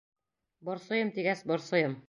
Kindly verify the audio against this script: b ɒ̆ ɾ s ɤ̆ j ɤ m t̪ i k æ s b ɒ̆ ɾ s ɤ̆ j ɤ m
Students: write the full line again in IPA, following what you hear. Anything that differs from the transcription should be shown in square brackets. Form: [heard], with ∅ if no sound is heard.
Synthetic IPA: b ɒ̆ ɾ s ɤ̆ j ɤ m t̪ i [ɡ] æ s b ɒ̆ ɾ s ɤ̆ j ɤ m